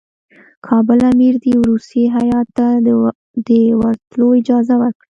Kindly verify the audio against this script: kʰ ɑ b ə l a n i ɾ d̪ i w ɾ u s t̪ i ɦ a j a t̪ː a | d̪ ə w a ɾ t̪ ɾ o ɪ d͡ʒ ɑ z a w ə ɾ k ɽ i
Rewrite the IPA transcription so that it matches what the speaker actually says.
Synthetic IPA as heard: kʰ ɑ b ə l a m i ɾ d̪ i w ɾ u s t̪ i ɦ a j ɑ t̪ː a | d̪ ə w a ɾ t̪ l o ɪ d͡ʒ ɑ z a w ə ɾ k ɽ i